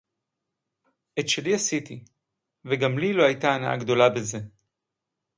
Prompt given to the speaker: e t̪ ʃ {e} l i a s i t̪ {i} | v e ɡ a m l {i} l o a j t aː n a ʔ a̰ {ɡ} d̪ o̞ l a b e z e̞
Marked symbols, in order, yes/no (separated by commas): yes, yes, yes, yes